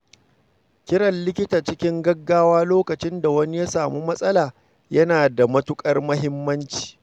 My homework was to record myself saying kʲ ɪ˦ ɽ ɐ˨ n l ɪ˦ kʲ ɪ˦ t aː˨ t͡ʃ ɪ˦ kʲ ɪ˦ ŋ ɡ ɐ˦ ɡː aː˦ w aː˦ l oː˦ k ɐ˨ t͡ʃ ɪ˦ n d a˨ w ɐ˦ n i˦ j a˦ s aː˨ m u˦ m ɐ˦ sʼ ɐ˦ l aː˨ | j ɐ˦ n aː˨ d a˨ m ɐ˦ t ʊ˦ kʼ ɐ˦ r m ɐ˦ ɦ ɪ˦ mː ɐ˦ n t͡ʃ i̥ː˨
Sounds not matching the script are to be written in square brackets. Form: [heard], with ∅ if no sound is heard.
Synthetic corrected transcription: kʲ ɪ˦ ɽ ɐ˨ n l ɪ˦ kʲ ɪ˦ t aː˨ t͡ʃ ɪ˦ kʲ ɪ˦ ŋ ɡ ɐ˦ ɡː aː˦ w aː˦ l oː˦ k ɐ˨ t͡ʃ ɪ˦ n d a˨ w ɐ˦ n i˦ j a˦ s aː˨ m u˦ m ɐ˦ sʼ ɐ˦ l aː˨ | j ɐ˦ n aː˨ d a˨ m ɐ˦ t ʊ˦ kʼ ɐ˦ r m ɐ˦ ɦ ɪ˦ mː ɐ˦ n t͡ʃ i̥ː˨